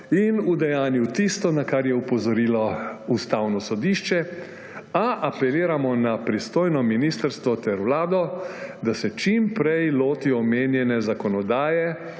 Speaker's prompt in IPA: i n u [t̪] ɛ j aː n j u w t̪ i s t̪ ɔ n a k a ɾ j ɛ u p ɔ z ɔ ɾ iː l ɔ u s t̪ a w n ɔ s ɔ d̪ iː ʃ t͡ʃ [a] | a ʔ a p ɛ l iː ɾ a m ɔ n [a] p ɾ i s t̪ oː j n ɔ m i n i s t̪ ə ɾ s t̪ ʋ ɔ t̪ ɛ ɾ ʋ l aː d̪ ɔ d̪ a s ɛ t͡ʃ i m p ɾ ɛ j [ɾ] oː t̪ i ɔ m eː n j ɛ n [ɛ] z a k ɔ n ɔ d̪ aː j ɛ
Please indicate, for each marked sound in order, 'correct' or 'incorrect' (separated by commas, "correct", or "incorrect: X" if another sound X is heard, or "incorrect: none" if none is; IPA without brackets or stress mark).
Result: incorrect: d̪, incorrect: ɛ, correct, incorrect: l, correct